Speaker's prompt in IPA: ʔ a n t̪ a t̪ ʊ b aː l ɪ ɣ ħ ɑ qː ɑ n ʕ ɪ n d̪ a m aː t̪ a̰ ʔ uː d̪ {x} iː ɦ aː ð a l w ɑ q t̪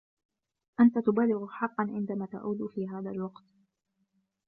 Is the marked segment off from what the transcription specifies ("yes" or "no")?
yes